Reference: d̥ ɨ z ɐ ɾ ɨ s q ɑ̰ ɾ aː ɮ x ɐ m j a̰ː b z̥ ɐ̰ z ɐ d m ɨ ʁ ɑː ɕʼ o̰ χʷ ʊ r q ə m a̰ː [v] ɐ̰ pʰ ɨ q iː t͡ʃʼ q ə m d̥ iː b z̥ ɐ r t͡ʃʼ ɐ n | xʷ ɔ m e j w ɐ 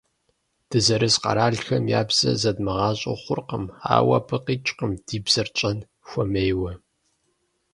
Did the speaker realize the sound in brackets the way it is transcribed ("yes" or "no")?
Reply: no